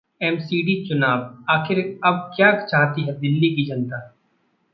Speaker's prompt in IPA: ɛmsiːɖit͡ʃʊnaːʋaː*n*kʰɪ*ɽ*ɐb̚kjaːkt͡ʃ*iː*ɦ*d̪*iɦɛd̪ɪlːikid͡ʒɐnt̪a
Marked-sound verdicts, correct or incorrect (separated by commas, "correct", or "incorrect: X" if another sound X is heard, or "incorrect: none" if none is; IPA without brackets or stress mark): incorrect: none, incorrect: ɾ, incorrect: aː, incorrect: t̪